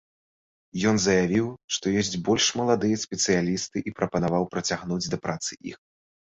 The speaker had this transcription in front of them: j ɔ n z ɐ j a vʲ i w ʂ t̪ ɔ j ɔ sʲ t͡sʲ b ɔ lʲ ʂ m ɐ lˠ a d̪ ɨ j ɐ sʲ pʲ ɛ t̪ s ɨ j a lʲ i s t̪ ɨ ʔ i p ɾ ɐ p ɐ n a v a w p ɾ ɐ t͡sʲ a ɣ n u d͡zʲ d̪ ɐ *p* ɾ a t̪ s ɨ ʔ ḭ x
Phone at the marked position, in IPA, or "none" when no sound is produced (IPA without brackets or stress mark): p